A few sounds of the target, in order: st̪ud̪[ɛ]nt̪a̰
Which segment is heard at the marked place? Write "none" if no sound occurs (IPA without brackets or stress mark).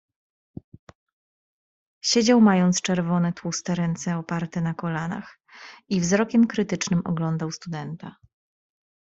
ɛ